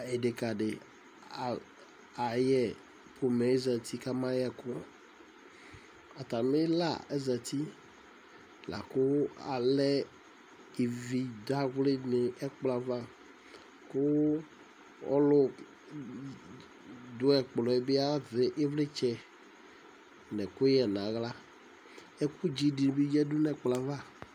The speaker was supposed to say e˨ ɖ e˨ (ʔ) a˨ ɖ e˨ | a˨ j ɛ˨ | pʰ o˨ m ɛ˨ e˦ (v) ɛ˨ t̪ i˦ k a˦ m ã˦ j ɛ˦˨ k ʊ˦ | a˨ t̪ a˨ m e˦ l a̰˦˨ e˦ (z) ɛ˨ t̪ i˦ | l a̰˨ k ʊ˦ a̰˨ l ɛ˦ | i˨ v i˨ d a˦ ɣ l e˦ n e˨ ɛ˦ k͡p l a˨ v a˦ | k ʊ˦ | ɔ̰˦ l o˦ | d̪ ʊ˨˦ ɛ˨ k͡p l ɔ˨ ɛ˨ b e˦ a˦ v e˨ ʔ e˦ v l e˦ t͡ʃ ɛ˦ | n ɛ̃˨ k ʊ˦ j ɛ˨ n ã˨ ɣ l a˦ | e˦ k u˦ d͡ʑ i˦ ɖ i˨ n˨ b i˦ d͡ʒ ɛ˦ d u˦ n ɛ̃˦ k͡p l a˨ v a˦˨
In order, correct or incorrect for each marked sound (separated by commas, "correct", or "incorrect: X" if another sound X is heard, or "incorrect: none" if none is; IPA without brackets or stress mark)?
incorrect: k, incorrect: z, correct